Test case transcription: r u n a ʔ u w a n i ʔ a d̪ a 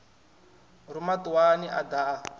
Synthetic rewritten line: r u m a t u w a n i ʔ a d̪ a